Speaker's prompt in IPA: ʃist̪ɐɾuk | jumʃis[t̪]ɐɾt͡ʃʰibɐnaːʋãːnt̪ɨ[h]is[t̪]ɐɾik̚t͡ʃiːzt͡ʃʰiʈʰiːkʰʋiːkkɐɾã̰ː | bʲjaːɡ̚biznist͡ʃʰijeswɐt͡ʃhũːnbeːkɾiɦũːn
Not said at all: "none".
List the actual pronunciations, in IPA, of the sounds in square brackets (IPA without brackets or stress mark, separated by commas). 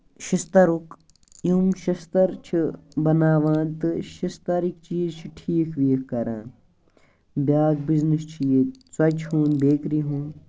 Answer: t̪, ʃ, t̪